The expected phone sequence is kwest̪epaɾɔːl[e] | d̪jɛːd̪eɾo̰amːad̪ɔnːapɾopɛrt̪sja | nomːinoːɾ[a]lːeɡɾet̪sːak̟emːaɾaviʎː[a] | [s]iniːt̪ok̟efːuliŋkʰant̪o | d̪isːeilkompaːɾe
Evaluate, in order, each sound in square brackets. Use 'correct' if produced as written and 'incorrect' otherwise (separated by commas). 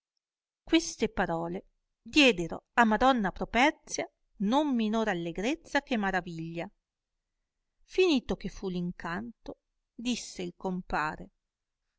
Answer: correct, correct, correct, incorrect